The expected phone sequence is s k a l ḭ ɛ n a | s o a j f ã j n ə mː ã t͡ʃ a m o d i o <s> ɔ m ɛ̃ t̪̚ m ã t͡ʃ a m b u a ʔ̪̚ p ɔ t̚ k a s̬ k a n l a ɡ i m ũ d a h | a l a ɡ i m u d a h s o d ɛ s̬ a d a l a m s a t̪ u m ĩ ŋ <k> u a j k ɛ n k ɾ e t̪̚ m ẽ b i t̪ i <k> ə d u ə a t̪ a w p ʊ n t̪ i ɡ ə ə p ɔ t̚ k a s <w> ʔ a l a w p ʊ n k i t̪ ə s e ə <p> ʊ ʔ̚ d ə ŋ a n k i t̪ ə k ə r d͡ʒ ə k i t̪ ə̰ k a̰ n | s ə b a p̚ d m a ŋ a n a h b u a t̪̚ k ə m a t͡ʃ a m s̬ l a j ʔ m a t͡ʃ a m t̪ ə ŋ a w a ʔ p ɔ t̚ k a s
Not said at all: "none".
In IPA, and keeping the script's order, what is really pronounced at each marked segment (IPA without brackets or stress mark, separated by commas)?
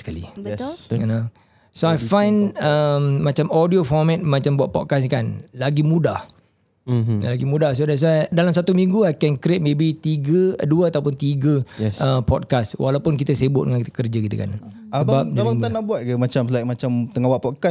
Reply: f, ɡ, ɡ, w, b